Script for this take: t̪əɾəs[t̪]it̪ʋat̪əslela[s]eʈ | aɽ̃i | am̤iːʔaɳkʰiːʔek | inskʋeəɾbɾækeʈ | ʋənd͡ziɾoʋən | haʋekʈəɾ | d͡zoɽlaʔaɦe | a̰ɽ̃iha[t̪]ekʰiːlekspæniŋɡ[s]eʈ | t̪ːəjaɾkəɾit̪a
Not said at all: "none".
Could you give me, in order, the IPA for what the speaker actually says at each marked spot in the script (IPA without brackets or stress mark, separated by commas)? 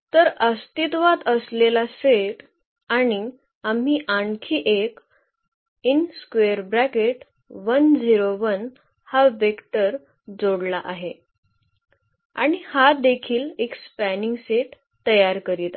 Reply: t̪, s, d̪, s